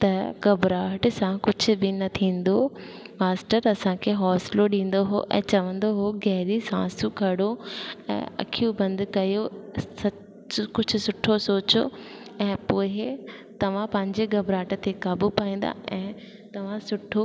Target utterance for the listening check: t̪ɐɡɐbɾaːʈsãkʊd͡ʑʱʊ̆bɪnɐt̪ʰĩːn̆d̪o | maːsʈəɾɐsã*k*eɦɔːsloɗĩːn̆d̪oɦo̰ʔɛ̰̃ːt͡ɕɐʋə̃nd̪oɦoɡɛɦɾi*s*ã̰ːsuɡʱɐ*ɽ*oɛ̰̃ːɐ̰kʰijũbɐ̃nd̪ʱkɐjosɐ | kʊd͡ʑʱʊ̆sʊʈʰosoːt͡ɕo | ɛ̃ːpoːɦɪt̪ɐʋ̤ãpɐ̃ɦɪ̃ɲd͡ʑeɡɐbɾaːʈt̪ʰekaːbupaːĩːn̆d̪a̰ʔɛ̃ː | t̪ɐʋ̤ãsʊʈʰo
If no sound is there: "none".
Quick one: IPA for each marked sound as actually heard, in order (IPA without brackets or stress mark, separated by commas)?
kʰ, s, ɽ